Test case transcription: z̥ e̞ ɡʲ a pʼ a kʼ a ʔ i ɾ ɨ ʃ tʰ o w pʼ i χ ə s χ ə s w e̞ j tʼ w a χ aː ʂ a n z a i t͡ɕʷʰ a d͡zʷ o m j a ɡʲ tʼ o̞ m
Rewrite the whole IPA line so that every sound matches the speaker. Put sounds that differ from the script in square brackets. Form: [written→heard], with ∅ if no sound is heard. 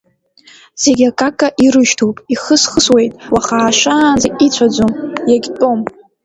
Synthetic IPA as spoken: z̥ e̞ ɡʲ a [pʼ→kʼ] a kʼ a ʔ i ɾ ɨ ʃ tʰ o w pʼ i χ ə s χ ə s w e̞ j tʼ w a χ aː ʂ a n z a i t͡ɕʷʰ a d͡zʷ o m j a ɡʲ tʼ o̞ m